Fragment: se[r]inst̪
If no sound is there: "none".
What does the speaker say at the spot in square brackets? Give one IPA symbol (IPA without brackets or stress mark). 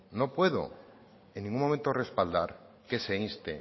none